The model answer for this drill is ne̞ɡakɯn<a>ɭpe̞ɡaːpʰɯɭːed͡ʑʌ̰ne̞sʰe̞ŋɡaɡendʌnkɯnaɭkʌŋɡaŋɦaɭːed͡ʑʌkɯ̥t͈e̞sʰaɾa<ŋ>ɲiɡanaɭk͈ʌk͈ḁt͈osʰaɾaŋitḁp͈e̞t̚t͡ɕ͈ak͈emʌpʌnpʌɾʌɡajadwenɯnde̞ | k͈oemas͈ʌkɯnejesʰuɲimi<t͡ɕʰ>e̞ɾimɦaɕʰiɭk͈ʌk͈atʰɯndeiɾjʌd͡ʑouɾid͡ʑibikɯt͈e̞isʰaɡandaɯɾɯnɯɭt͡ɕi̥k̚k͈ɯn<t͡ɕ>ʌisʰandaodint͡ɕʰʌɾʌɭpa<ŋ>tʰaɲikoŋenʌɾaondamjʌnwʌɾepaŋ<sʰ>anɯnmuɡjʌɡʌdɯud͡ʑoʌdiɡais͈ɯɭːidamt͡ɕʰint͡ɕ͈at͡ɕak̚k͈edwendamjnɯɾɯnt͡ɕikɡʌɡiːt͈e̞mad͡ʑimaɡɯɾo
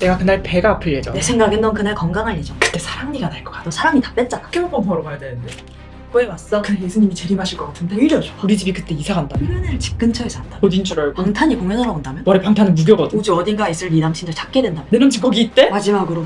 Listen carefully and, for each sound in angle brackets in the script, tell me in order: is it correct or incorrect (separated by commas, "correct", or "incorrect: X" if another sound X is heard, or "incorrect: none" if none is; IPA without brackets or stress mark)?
correct, correct, incorrect: t͡ɕ, incorrect: t͡ɕʰ, correct, incorrect: tʰ